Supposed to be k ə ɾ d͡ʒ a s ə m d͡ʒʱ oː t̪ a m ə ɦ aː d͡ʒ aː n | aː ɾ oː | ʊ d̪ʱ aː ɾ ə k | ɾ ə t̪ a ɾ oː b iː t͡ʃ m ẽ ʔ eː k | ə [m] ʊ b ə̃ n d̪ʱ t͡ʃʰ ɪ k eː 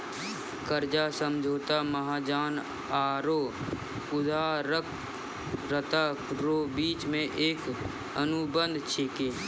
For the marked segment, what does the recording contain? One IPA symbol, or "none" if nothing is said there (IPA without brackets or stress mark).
n